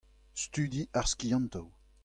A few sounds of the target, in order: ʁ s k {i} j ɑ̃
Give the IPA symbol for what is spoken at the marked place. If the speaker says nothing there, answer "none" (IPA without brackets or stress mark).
i